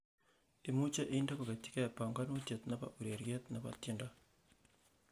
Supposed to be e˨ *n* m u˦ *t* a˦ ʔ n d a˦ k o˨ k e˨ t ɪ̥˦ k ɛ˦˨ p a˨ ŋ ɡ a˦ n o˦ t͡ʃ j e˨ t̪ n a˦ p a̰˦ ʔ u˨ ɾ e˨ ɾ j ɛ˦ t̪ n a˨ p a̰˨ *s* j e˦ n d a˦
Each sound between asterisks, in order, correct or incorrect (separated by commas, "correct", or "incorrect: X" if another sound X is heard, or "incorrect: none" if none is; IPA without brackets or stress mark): incorrect: none, incorrect: t͡ʃ, incorrect: t